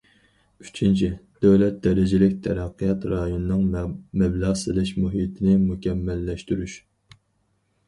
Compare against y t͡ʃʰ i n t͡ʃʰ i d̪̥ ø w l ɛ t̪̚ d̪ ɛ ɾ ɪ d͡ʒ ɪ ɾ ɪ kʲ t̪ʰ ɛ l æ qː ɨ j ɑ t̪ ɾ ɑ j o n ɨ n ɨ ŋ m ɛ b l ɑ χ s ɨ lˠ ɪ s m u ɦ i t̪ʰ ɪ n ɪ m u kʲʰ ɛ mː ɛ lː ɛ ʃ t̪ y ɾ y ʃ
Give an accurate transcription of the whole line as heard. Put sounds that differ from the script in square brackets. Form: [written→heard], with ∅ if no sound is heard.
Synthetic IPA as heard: y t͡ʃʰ i n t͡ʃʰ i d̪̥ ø w l ɛ t̪̚ d̪ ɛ ɾ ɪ d͡ʒ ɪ [ɾ→l] ɪ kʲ t̪ʰ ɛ [l→ɾ] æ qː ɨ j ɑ t̪ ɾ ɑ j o n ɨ n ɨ ŋ m ɛ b l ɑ [χ→ʁ] s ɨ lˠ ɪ [s→ʃ] m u ɦ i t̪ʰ ɪ n ɪ m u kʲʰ ɛ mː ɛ lː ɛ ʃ t̪ y ɾ y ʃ